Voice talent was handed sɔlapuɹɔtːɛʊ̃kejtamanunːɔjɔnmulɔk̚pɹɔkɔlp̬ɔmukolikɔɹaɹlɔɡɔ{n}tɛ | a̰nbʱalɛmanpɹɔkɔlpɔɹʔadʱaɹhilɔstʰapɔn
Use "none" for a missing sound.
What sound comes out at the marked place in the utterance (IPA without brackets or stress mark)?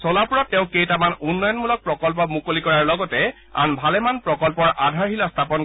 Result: none